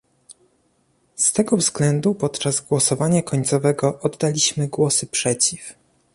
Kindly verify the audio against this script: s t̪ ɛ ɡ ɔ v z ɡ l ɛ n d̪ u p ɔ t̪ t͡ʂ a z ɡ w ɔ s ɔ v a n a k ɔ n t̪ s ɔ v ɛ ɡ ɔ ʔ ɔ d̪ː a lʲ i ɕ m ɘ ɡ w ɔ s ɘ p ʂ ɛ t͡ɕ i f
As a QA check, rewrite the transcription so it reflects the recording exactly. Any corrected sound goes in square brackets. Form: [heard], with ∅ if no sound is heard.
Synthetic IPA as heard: s t̪ ɛ ɡ ɔ v z ɡ l ɛ n d̪ u p ɔ t̪ t͡ʂ a z ɡ w ɔ s ɔ v a [ɲ] a k ɔ [ɲ] t̪ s ɔ v ɛ ɡ ɔ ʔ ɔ d̪ː a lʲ i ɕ m ɘ ɡ w ɔ s ɘ p ʂ ɛ t͡ɕ i f